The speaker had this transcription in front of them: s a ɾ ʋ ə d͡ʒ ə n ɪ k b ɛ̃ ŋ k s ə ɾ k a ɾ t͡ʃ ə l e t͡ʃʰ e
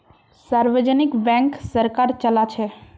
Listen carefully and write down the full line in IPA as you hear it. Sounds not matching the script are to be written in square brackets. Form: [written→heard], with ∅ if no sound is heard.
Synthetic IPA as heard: s a ɾ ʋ ə d͡ʒ ə n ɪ k b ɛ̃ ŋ k s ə ɾ k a ɾ t͡ʃ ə l [e→a] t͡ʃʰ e